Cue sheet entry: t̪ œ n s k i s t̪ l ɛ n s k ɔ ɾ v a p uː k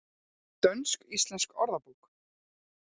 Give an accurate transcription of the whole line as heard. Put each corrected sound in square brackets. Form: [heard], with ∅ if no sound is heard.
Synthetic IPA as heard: t̪ œ n s k i s t̪ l ɛ n s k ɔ ɾ [ð] a p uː k

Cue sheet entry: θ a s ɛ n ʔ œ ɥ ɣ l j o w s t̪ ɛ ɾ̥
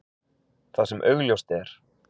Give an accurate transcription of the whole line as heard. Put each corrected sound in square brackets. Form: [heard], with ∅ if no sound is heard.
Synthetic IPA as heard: θ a s ɛ [m] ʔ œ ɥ ɣ l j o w s t̪ ɛ ɾ̥

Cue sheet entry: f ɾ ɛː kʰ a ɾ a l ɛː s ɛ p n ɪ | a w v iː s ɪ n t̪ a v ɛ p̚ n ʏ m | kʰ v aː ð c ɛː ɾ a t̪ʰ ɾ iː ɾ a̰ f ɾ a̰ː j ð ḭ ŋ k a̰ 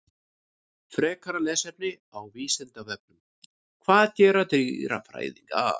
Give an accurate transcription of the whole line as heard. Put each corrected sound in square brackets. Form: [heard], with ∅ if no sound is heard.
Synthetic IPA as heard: f ɾ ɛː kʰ a ɾ a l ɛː s ɛ p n ɪ | a w v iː s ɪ n t̪ a v ɛ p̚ n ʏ m | kʰ v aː ð c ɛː ɾ a [t̪] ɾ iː ɾ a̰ f ɾ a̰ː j ð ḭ ŋ k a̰

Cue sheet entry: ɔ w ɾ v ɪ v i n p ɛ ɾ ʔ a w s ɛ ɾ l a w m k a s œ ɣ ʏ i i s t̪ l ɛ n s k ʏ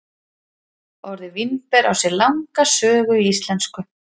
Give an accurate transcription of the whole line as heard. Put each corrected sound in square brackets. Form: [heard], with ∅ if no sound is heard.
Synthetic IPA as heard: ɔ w ɾ [ð] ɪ v i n p ɛ ɾ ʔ a w s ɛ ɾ l a w [ŋ] k a s [œː] ɣ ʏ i i s t̪ l ɛ n s k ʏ

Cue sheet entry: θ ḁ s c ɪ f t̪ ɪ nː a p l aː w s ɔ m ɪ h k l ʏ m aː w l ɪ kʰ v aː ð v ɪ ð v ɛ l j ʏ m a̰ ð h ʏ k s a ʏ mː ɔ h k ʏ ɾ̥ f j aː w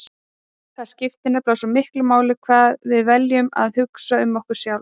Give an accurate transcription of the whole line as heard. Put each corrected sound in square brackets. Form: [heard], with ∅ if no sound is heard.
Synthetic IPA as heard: θ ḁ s c ɪ f t̪ ɪ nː a p l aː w s ɔ m ɪ h k l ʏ m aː w l ɪ kʰ v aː ð v ɪ ð v ɛ l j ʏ m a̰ ð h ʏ k s a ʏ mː ɔ h k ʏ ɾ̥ [s] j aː w

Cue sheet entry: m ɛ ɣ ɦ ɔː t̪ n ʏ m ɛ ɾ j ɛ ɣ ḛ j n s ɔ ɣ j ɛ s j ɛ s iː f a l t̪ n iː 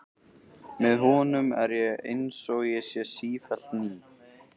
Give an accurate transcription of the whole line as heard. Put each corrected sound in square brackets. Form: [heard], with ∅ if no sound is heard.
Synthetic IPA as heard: m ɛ [ð] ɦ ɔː [∅] n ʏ m ɛ ɾ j ɛ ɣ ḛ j n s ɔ ɣ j ɛ s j ɛ s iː f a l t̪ n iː

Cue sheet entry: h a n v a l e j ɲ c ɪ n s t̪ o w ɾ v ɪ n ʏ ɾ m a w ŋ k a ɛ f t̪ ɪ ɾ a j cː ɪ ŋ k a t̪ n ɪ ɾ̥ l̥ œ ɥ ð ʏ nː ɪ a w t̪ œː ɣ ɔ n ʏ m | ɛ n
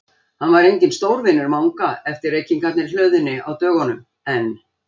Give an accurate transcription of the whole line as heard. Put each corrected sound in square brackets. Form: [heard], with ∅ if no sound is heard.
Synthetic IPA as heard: h a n v a [ɾ] e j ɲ c ɪ n s t̪ o w ɾ v ɪ n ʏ ɾ m a w ŋ k a ɛ f t̪ ɪ ɾ [e] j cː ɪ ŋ k a t̪ n ɪ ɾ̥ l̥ œ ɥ ð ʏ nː ɪ a w t̪ œː ɣ ɔ n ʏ m | ɛ n

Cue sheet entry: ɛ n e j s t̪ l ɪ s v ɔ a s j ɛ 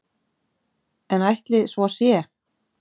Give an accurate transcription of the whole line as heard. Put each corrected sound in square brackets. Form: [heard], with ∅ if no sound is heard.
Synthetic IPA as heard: ɛ n [a] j [h] t̪ l ɪ s v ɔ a s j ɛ

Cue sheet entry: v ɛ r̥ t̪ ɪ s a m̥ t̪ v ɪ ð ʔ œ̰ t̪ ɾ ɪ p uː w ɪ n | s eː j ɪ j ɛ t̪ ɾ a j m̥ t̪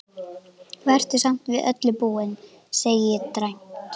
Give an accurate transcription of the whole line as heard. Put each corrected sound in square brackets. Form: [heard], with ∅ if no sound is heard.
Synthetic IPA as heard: v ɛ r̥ t̪ ɪ s a m̥ t̪ v ɪ ð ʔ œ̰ t̪ [l] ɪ p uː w ɪ n | s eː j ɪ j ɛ t̪ ɾ a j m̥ t̪

